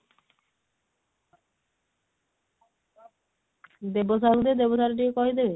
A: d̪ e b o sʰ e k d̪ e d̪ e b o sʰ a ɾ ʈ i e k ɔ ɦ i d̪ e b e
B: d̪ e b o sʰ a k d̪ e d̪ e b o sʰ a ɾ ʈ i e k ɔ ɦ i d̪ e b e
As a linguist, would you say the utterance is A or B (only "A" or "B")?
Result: B